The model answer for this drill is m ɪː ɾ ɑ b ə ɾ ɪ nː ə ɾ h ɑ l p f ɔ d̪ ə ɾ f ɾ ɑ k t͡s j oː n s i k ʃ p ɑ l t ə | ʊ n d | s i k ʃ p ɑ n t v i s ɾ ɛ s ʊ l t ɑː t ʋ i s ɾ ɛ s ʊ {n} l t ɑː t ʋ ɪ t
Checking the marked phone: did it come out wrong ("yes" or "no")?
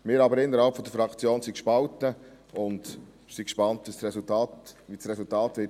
yes